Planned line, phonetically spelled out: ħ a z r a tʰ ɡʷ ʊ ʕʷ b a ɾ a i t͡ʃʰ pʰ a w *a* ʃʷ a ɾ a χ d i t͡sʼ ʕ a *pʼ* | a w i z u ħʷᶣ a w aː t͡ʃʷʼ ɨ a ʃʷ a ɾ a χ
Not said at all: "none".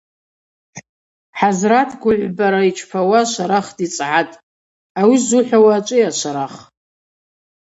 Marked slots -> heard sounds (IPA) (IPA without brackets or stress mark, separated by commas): a, tʼ